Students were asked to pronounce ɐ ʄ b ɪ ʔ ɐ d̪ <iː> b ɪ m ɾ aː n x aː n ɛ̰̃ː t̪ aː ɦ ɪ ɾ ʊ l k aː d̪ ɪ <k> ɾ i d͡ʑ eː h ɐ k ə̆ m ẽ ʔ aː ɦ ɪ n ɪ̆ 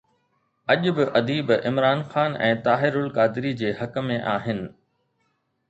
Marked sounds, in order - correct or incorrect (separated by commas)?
correct, incorrect